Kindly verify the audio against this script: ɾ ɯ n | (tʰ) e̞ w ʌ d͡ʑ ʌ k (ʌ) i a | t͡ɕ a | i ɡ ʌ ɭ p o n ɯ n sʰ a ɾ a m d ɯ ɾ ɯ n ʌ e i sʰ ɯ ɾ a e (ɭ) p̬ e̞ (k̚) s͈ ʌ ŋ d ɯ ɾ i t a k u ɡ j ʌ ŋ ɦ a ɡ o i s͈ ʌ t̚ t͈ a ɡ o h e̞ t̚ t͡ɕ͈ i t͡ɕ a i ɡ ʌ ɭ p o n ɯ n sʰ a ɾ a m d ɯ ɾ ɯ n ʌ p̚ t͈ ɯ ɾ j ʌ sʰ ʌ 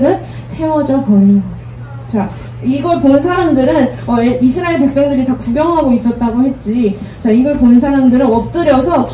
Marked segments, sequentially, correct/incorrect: correct, correct, correct, correct

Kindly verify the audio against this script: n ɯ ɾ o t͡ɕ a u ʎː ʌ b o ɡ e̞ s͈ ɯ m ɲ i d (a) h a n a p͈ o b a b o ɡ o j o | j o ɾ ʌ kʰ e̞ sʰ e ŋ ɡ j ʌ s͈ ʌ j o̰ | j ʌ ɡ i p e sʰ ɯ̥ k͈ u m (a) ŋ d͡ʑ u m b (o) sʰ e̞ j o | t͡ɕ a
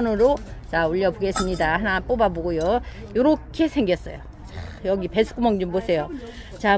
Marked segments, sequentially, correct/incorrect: correct, incorrect, correct

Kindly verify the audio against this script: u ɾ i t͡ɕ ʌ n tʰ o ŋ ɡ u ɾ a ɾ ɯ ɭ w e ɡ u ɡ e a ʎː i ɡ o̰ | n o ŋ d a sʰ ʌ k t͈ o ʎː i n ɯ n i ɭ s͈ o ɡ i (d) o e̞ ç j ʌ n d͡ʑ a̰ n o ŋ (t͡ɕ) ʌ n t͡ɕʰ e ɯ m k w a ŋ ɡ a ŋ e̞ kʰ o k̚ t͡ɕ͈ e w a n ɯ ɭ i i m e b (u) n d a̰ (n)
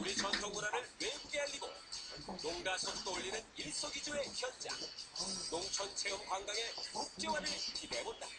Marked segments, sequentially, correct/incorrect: incorrect, incorrect, incorrect, incorrect

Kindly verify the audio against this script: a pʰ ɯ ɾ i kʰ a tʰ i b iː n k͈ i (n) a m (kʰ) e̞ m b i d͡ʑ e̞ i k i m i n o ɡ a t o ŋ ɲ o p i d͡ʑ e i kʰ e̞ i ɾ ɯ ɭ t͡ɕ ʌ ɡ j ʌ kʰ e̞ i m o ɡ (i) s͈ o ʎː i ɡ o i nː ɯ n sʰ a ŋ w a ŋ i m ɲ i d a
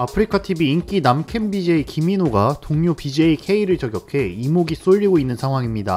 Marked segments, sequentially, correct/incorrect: correct, correct, correct

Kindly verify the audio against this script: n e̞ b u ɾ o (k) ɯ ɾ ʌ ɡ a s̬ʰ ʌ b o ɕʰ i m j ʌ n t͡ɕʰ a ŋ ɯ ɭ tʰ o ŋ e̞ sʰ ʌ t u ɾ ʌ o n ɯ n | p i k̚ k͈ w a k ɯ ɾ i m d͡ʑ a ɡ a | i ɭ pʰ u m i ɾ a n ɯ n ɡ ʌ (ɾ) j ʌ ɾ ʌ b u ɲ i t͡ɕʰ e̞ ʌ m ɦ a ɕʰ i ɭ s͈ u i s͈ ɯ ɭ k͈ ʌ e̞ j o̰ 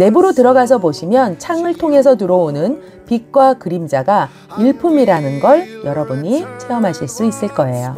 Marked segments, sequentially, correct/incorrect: incorrect, incorrect

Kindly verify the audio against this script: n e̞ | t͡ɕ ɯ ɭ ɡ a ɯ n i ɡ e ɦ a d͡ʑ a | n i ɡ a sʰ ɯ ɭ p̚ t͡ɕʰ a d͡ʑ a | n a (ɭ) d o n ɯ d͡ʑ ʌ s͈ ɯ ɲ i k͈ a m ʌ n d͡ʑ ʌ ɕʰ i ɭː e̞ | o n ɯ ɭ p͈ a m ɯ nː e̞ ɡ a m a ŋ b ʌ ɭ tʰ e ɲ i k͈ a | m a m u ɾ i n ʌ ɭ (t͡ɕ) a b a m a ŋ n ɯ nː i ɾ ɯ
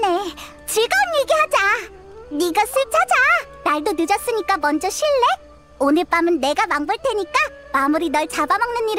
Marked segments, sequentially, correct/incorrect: correct, correct

